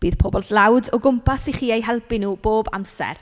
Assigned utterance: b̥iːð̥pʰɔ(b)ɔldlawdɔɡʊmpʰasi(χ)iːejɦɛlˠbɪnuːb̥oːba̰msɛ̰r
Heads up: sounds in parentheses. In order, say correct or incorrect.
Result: correct, correct

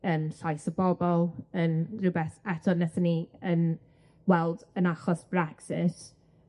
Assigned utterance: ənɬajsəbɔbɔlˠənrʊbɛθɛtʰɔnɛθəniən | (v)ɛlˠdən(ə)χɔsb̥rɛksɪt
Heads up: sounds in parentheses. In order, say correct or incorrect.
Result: incorrect, incorrect

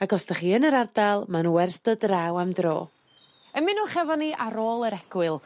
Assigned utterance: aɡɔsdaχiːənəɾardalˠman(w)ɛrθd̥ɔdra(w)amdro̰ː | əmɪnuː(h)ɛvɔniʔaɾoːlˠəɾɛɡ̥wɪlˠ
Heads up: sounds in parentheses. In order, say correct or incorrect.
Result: correct, correct, incorrect

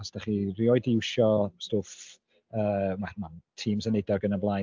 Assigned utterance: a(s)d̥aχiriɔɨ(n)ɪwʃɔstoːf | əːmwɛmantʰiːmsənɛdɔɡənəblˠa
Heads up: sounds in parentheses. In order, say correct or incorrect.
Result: correct, incorrect

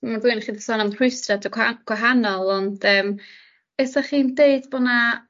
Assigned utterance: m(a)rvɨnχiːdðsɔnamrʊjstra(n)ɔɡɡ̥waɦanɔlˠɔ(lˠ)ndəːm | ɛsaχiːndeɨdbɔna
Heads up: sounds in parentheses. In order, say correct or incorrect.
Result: correct, incorrect, incorrect

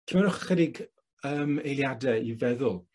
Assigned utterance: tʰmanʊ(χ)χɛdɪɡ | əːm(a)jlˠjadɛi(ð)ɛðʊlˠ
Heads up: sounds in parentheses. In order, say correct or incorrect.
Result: correct, incorrect, incorrect

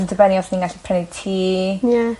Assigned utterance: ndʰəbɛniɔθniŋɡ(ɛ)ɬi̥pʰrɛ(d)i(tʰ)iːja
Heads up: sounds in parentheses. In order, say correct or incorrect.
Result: incorrect, incorrect, correct

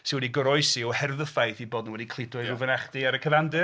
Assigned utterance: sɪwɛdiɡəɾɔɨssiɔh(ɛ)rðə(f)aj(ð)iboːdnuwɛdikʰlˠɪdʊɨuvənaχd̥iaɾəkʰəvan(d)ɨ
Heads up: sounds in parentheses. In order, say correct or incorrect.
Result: correct, correct, incorrect, correct

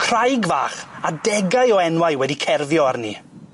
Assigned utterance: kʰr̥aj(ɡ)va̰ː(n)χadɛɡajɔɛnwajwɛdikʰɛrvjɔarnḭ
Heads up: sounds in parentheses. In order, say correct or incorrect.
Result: correct, incorrect

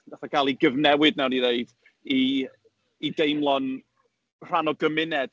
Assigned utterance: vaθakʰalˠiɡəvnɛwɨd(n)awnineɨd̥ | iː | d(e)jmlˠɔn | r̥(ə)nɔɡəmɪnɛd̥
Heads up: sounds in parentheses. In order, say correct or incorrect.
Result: correct, correct, incorrect

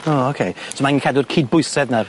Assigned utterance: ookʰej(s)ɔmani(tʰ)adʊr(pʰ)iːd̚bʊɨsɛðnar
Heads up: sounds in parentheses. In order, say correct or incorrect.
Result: correct, incorrect, incorrect

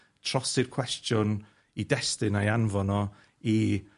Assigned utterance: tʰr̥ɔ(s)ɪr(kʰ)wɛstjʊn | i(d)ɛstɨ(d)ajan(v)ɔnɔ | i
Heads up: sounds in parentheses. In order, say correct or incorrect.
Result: correct, correct, correct, incorrect, correct

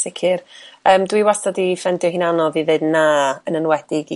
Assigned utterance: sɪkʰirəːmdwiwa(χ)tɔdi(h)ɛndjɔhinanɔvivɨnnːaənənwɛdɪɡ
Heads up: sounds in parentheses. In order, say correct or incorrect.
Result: incorrect, incorrect

